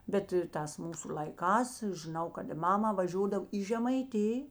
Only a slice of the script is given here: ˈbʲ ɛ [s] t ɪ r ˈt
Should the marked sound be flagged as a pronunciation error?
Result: yes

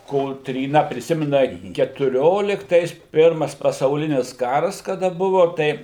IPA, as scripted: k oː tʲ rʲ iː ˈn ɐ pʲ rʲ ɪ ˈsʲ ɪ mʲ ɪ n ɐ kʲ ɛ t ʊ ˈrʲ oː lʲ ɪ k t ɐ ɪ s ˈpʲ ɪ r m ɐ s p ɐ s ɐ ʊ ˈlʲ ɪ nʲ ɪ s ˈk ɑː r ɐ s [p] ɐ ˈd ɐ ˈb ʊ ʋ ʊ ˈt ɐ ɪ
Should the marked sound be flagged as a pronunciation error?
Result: yes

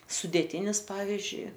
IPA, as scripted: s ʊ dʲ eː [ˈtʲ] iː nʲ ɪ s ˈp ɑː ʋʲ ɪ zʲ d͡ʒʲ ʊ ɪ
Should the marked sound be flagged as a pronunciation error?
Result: no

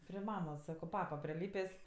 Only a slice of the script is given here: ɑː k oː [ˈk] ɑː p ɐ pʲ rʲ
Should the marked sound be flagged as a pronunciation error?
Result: yes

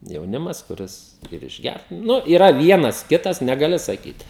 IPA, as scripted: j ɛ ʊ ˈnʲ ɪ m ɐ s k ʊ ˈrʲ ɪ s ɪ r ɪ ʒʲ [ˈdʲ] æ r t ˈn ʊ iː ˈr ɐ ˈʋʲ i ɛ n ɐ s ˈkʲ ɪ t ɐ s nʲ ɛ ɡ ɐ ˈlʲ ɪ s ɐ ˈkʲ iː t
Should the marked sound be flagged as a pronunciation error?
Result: yes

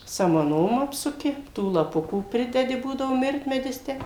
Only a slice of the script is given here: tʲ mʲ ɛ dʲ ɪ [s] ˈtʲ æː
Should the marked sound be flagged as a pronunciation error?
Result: no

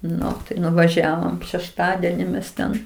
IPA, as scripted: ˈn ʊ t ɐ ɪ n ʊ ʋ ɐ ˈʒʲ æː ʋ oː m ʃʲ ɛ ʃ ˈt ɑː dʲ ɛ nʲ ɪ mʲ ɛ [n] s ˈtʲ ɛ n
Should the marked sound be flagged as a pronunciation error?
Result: yes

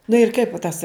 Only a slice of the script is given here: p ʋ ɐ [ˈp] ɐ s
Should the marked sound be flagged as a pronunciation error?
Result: yes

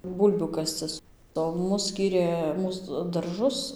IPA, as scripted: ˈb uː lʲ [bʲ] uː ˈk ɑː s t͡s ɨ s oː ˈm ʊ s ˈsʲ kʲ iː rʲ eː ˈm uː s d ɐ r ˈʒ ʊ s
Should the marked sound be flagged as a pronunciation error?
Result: no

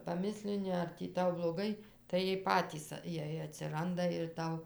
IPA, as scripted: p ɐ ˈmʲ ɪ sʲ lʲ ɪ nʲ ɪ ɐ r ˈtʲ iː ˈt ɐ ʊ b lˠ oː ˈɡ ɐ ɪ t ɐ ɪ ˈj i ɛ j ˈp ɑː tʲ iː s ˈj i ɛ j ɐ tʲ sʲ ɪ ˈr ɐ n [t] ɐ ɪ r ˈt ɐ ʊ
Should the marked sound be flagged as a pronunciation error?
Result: yes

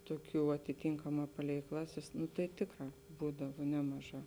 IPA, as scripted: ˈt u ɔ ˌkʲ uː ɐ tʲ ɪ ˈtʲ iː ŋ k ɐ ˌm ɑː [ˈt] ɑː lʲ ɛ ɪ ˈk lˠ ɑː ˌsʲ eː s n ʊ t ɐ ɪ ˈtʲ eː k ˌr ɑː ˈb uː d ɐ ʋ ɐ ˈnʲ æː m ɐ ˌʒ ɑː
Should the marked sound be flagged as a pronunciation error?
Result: yes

